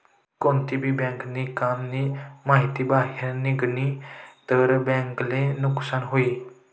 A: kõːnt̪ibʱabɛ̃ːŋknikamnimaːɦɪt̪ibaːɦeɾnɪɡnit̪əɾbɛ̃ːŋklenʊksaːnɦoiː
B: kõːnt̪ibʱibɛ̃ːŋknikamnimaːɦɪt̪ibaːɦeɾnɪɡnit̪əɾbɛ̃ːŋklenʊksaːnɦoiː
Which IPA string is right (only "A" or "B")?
B